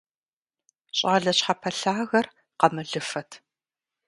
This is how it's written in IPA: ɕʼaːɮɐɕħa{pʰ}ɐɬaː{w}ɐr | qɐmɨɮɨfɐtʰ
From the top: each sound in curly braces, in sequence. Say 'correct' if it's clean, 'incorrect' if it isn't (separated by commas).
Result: correct, incorrect